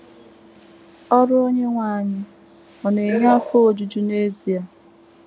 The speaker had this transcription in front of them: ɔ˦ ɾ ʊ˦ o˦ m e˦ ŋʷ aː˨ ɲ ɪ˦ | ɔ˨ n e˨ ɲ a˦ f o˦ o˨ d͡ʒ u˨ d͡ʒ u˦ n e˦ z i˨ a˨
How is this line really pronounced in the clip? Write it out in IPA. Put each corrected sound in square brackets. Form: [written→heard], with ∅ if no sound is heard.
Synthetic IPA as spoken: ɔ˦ ɾ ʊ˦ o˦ [m→ɲ] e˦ ŋʷ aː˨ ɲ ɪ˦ | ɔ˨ n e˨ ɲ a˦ f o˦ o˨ d͡ʒ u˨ d͡ʒ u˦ n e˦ z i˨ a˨